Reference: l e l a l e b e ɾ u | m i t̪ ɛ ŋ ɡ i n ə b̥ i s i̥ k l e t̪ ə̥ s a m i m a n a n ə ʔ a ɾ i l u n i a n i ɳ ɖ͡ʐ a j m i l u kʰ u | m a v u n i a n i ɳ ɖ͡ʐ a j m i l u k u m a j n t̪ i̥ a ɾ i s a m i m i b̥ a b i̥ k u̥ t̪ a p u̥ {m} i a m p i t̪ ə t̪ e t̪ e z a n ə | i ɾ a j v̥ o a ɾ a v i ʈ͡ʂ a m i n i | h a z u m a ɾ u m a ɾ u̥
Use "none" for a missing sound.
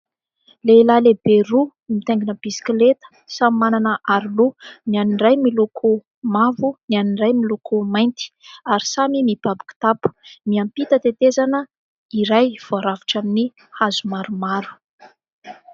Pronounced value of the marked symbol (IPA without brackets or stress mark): m